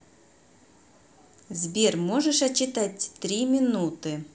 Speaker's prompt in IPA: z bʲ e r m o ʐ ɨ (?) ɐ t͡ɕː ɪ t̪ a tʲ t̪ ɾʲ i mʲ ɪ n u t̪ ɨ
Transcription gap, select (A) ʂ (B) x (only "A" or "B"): A